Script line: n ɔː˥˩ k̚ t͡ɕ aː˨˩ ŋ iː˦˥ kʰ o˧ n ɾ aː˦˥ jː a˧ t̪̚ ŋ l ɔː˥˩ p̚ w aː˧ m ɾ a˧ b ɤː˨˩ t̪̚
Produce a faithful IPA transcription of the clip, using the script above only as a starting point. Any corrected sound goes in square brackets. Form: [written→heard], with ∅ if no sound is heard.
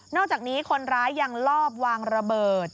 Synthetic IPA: n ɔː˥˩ k̚ t͡ɕ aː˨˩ [ŋ→n] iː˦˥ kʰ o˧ n ɾ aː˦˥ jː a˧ [t̪̚→∅] ŋ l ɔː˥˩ p̚ w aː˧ [m→ŋ] ɾ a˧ b ɤː˨˩ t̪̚